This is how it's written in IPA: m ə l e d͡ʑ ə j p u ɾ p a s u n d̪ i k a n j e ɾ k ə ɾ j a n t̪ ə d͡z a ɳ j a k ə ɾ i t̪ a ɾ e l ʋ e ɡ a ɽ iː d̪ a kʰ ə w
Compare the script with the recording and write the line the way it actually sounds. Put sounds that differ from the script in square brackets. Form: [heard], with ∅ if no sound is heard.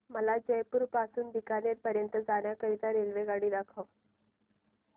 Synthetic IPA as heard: m ə l [a] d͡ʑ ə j p u ɾ p a s [uː] n d̪ i k a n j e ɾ [p] ə ɾ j [ə] n t̪ ə d͡z a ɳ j a k ə ɾ i t̪ a ɾ e l ʋ e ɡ a ɽ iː d̪ a kʰ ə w